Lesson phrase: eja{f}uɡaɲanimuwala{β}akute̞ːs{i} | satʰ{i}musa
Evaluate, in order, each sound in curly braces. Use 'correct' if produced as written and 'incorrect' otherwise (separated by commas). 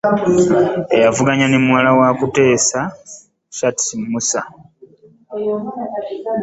incorrect, incorrect, incorrect, correct